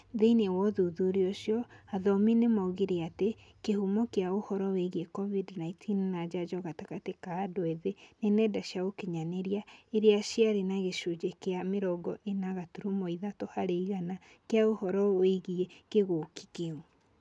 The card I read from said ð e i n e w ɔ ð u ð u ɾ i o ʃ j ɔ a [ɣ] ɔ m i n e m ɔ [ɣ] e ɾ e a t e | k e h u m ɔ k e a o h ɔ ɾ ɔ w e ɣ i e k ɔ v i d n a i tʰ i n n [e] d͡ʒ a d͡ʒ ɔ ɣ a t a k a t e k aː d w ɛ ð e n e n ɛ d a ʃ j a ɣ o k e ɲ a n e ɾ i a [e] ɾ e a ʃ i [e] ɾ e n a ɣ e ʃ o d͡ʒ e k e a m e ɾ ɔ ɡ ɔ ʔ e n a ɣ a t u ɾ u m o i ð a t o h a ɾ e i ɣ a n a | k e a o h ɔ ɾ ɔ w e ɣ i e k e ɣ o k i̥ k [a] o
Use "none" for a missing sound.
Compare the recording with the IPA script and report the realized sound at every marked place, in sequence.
ð, ɣ, a, e, a, e

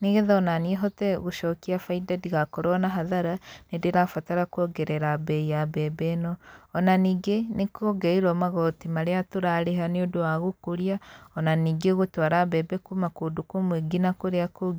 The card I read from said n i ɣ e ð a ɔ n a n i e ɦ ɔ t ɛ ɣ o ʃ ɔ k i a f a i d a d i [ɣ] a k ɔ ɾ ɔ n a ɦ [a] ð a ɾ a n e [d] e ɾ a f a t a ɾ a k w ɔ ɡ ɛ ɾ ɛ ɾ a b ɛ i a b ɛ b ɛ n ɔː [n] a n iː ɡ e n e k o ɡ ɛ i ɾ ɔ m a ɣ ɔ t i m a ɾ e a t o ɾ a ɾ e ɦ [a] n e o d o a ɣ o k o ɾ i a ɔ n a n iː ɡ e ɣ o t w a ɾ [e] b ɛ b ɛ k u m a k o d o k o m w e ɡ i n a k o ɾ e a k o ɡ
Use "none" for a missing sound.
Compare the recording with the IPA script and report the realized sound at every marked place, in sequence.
ɣ, a, d, n, a, a

